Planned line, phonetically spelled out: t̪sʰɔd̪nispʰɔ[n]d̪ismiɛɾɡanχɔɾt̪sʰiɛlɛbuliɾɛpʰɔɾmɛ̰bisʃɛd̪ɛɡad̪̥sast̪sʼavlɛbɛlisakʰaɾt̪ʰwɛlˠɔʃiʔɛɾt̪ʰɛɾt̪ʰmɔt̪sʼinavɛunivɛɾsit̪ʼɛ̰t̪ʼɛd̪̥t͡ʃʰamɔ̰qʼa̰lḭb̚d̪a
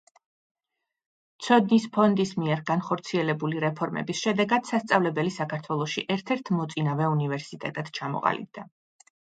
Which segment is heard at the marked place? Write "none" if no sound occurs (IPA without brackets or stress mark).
n